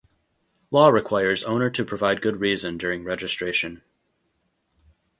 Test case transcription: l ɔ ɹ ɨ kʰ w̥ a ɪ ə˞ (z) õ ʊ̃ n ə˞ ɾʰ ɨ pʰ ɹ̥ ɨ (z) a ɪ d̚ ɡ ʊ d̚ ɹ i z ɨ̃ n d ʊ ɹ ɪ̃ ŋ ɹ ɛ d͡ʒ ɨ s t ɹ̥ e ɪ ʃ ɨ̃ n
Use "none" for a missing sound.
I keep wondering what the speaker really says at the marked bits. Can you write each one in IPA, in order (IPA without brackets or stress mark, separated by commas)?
z, v